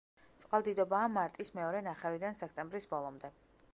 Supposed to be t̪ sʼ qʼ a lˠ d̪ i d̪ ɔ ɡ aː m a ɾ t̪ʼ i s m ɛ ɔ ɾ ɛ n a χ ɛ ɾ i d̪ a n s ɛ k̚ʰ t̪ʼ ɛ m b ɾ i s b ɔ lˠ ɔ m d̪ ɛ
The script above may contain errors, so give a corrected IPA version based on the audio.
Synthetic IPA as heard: t̪ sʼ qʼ a lˠ d̪ i d̪ ɔ b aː m a ɾ t̪ʼ i s m ɛ ɔ ɾ ɛ n a χ ɛ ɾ i d̪ a n s ɛ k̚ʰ t̪ʼ ɛ m b ɾ i s b ɔ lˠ ɔ m d̪ ɛ